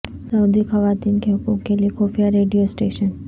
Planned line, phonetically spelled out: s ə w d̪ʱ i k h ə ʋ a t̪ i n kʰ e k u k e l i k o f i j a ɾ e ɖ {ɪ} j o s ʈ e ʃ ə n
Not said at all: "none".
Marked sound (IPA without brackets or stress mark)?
i